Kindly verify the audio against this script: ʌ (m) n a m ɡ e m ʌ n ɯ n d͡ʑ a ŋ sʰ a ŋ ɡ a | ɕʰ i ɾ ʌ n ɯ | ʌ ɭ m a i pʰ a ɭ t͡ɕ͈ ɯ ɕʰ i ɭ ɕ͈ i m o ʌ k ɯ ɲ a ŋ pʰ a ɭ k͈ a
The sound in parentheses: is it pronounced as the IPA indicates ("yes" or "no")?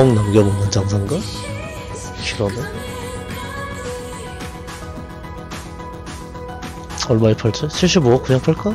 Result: no